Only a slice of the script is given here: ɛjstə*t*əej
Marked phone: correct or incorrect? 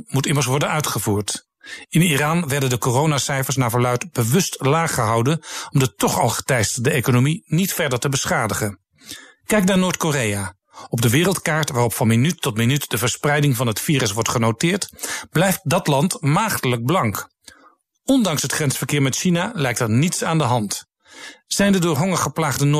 incorrect